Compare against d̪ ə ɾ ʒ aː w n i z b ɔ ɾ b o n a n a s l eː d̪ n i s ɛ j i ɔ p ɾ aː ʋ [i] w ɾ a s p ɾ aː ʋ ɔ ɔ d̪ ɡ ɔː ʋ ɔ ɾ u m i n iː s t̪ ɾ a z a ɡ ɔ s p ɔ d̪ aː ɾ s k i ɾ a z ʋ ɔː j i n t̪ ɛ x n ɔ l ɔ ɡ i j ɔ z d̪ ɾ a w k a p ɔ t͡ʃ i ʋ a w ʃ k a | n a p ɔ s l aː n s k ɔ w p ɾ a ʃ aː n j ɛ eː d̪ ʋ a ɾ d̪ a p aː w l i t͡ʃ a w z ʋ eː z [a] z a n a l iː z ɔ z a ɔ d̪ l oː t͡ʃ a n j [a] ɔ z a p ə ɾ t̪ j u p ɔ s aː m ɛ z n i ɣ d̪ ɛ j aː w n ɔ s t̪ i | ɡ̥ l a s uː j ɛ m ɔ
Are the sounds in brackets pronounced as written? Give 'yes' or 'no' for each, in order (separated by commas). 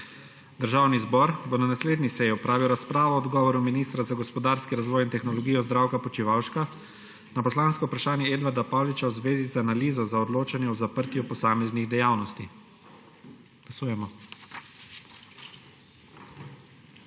yes, no, no